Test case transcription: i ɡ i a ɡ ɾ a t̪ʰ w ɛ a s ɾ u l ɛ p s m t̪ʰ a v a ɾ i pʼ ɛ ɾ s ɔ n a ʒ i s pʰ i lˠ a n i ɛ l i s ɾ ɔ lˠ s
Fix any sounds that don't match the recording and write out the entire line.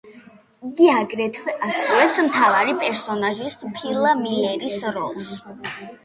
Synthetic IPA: i ɡ i a ɡ ɾ ɛ t̪ʰ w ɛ a s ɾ u l ɛ p s m t̪ʰ a v a ɾ i pʼ ɛ ɾ s ɔ n a ʒ i s pʰ i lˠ a m i ɛ ɾ i s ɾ ɔ lˠ s